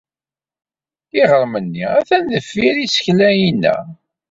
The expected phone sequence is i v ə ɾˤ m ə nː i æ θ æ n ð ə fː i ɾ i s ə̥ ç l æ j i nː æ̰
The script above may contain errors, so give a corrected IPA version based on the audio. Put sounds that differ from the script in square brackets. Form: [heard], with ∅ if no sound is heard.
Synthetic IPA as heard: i [ʁ] ə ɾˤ m ə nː i æ θ æ n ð ə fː i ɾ i s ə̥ ç l æ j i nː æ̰